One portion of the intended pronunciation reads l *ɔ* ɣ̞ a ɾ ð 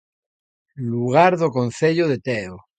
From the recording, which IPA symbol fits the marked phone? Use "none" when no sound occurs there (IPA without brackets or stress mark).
u